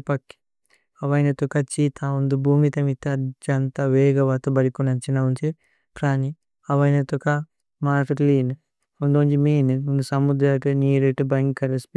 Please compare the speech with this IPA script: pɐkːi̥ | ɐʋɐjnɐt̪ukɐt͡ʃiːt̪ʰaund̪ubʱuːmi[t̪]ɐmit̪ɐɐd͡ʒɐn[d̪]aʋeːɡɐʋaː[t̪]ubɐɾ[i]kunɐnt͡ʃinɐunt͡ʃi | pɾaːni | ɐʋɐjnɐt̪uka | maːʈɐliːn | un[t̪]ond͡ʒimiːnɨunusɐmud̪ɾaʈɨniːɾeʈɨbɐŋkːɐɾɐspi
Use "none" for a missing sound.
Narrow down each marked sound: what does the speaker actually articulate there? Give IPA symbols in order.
t̪, t̪, t̪, i, d̪

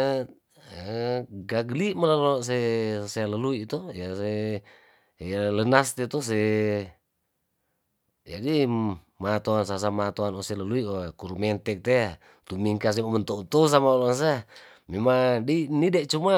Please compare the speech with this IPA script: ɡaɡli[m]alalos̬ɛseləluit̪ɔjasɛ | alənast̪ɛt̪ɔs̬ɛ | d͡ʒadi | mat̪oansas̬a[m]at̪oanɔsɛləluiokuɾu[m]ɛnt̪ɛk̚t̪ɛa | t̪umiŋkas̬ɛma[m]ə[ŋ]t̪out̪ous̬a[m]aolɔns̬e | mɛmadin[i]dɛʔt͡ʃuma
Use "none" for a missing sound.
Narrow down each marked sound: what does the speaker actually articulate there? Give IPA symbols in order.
m, m, m, m, n, m, i

